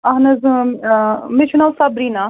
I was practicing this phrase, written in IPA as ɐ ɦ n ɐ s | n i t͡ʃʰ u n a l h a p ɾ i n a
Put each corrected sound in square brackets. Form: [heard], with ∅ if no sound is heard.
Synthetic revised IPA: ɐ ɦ n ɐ [z] | [m] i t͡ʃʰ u n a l [s] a [b] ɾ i n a